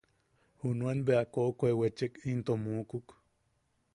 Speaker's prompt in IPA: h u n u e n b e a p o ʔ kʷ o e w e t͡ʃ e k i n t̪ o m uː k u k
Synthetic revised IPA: h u n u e n b e a k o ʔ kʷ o e w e t͡ʃ e k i n t̪ o m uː k u k